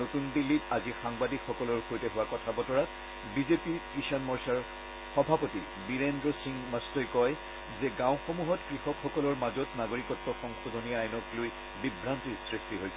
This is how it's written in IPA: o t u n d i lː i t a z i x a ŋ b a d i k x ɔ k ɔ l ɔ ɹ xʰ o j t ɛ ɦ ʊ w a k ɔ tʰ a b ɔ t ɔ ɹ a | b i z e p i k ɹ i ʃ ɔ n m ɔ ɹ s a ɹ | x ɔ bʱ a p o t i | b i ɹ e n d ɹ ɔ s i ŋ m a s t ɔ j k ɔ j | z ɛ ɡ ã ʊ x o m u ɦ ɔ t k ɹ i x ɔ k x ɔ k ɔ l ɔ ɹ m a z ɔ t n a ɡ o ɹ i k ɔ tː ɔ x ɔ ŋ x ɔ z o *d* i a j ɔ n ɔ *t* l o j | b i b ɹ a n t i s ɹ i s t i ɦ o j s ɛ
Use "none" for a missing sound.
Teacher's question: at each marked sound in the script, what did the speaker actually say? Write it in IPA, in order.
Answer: n, k

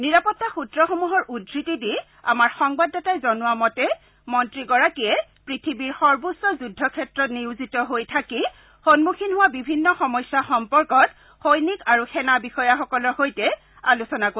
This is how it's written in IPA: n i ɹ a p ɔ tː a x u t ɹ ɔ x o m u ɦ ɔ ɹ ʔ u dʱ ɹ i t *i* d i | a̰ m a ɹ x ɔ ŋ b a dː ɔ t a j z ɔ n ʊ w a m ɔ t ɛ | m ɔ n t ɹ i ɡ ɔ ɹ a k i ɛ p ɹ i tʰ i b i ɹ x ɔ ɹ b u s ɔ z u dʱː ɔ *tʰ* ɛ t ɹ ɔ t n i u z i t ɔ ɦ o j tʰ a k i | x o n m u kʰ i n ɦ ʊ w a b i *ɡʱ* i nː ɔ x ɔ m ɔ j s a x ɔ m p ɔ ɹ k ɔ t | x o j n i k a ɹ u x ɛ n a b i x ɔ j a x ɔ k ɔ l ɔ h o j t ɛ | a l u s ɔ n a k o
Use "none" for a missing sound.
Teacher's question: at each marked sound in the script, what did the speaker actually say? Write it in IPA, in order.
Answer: i, kʰ, bʱ

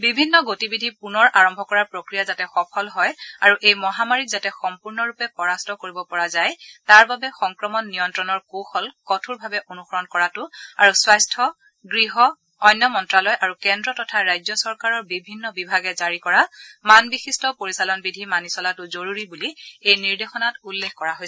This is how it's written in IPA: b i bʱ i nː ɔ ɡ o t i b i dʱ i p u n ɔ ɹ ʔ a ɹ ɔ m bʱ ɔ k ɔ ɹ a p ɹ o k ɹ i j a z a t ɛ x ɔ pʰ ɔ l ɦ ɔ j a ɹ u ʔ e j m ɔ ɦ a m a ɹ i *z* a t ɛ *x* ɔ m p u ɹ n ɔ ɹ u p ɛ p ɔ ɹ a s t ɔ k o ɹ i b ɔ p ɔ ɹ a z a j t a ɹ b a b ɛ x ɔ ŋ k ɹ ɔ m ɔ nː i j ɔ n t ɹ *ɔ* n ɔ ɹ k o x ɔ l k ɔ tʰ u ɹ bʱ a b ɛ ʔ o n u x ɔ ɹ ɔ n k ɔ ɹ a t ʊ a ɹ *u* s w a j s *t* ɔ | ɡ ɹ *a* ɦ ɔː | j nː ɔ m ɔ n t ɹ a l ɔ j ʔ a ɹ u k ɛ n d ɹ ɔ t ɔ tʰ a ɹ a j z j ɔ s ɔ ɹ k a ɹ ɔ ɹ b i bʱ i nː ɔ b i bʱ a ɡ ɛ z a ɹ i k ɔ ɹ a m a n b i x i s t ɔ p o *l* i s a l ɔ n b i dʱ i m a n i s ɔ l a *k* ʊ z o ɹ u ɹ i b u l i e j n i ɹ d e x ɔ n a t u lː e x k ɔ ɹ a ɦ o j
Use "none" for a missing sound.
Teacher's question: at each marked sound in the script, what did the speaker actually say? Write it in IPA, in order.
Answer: z, x, ɔ, u, tʰ, i, ɹ, t

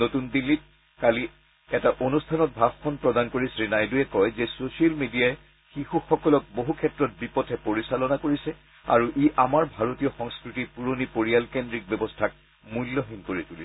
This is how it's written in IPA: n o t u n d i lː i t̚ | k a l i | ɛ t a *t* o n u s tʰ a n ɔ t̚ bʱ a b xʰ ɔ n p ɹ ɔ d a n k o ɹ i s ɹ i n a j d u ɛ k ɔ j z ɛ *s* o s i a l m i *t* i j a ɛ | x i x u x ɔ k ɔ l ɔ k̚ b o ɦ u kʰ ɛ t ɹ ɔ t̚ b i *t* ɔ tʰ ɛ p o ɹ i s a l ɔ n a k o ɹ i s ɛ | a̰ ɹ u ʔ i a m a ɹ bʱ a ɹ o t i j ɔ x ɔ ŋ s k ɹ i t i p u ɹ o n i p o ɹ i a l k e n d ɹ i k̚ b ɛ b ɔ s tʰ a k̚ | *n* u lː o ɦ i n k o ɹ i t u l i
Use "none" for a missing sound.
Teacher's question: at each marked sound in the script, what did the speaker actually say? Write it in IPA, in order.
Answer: ʔ, s, d, p, m

